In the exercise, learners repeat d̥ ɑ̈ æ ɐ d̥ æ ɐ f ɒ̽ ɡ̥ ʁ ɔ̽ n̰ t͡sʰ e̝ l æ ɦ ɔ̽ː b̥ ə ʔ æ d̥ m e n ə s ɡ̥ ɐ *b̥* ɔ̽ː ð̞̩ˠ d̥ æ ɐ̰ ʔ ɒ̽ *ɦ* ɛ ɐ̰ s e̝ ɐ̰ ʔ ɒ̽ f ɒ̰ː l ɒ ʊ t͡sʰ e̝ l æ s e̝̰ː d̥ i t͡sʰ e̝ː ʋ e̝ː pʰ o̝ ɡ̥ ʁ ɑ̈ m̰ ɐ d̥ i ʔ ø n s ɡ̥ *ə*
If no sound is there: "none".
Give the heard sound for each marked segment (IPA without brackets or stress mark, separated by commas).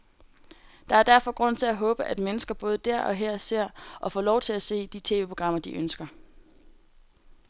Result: b̥, ɦ, ɐ